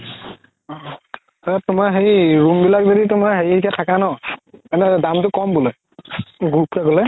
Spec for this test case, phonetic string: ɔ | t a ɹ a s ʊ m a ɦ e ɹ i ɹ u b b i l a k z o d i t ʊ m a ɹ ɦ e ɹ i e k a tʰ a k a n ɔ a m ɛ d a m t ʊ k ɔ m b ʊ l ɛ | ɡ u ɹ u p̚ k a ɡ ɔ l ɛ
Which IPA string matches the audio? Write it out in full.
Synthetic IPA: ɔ | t a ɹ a t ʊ m a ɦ e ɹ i ɹ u m b i l a k z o d i t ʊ m a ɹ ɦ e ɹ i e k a tʰ a k a n ɔ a n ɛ d a m t ʊ k ɔ m b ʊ l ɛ | ɡ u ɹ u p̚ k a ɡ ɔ l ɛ